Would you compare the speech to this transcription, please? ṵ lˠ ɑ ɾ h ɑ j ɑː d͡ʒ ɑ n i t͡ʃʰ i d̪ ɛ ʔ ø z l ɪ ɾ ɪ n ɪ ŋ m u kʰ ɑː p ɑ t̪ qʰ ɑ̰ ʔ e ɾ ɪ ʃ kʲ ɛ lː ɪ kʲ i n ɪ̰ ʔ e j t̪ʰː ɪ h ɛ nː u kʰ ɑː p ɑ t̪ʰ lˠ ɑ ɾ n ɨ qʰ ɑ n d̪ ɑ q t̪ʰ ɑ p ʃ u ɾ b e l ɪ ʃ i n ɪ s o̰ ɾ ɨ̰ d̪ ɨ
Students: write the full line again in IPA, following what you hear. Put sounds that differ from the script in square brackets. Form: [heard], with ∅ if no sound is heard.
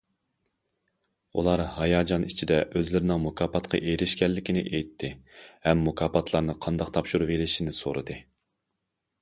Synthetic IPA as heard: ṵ lˠ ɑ ɾ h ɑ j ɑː d͡ʒ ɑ n i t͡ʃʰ i d̪ ɛ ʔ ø z l ɪ ɾ ɪ n ɪ ŋ m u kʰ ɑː p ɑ t̪ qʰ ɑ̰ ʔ e ɾ ɪ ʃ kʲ ɛ lː ɪ kʲ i n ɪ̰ ʔ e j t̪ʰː ɪ h ɛ [mː] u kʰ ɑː p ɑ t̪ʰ lˠ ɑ ɾ n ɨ qʰ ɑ n d̪ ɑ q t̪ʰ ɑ p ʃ u ɾ [v] e l ɪ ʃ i n ɪ s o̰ ɾ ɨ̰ d̪ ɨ